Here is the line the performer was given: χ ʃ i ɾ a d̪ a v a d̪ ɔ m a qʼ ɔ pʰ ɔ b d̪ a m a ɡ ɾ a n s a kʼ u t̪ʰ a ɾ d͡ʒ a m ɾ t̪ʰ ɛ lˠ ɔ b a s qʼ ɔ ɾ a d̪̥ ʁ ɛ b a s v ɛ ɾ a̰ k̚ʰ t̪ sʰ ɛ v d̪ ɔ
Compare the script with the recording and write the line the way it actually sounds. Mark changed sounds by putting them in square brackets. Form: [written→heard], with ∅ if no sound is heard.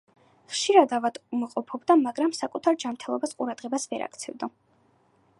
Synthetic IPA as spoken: χ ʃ i ɾ a d̪ a v a d̪ [ɔ→u] m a qʼ ɔ pʰ ɔ b d̪ a m a ɡ ɾ a [n→m] s a kʼ u t̪ʰ a ɾ d͡ʒ a m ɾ t̪ʰ ɛ lˠ ɔ b a s qʼ [ɔ→u] ɾ a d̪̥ ʁ ɛ b a s v ɛ ɾ a̰ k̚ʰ t̪ sʰ ɛ v d̪ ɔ